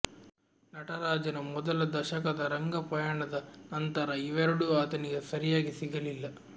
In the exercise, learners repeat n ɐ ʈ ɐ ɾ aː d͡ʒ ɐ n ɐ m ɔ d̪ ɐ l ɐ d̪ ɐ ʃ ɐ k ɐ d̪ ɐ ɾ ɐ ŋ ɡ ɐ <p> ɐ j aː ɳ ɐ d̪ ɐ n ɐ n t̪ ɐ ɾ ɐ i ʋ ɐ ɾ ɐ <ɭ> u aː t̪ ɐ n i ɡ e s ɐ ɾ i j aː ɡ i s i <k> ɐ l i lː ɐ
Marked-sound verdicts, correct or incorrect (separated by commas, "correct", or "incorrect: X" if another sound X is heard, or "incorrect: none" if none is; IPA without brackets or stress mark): correct, incorrect: ɽ, incorrect: ɡ